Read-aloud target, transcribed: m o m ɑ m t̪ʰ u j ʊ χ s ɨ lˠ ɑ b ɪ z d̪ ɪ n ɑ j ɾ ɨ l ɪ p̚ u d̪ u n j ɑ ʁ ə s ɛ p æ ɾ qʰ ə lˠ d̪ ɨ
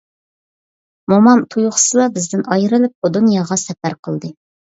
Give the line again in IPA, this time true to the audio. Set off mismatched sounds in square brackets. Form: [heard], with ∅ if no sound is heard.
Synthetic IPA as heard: m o m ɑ m t̪ʰ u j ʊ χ s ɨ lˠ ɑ b ɪ z d̪ ɪ n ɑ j ɾ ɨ l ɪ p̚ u d̪ u n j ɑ ʁ [ɑ] s ɛ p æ ɾ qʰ ə lˠ d̪ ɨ